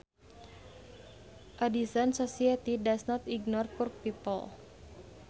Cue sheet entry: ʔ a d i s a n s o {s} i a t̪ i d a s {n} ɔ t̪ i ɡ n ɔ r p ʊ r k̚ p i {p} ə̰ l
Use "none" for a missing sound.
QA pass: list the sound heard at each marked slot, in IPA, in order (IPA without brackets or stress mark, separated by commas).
s, n, p